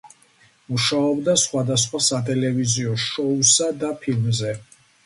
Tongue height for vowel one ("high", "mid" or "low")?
high